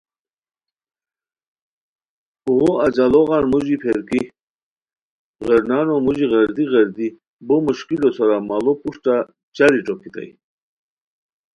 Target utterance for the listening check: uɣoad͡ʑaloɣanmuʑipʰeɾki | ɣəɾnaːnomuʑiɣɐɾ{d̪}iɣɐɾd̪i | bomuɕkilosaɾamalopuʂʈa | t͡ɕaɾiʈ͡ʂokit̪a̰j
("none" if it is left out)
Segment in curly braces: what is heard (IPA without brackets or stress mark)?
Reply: d̪